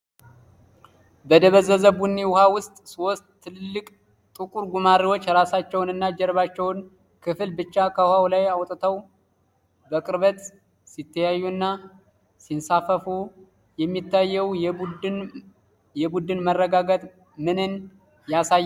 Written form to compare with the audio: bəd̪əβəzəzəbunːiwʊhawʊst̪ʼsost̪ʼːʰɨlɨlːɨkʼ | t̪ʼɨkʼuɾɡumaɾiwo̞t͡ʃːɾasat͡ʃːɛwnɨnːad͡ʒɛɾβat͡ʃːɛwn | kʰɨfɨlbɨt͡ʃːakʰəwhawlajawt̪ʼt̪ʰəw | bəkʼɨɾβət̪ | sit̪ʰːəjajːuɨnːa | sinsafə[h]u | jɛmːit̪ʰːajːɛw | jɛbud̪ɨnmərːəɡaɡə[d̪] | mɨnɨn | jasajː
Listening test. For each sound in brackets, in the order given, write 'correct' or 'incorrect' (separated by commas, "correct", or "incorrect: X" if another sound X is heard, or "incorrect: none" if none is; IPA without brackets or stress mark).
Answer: incorrect: f, incorrect: t̪